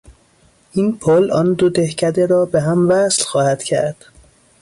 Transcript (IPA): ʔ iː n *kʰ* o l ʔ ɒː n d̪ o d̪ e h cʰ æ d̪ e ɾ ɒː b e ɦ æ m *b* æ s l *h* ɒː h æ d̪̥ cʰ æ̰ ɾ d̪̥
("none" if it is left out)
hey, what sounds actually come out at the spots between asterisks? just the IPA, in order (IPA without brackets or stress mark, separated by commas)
pʰ, v, x